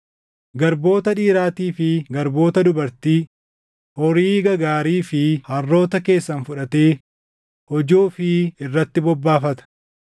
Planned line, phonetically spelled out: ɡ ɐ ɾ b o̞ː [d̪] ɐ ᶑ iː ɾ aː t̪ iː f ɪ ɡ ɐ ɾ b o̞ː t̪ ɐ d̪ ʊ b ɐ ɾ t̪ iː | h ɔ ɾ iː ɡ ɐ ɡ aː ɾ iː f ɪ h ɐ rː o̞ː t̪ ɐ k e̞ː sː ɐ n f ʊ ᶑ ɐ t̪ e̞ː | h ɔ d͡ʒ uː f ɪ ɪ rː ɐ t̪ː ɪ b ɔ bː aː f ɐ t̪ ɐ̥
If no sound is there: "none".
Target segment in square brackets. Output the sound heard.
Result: t̪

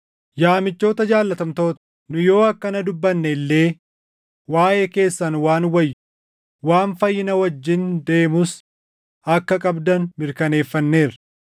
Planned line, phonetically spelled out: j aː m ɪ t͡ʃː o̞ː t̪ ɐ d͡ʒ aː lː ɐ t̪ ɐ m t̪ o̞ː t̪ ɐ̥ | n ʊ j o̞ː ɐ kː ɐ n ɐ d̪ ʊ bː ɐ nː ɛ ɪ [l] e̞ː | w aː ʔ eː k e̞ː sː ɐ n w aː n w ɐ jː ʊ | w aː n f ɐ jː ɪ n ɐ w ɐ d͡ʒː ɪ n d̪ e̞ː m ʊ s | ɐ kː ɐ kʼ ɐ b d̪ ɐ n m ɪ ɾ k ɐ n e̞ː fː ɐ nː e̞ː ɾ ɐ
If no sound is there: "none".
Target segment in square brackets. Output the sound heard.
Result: lː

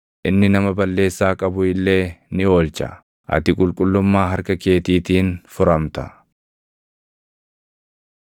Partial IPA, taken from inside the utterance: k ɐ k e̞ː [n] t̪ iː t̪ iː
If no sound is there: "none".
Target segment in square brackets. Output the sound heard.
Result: none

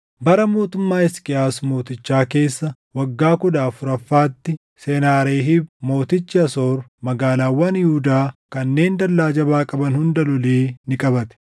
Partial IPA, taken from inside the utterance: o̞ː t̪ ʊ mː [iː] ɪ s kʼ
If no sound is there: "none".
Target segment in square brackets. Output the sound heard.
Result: aː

